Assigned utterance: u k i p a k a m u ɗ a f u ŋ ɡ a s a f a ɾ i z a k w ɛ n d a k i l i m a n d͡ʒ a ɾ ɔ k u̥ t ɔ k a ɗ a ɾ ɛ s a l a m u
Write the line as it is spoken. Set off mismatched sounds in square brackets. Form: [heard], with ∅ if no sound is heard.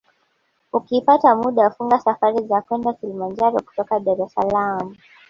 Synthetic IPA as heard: u k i p a [t] a m u ɗ a f u ŋ ɡ a s a f a ɾ i z a k w ɛ n d a k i l i m a n d͡ʒ a ɾ ɔ k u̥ t ɔ k a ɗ a ɾ ɛ s a l a m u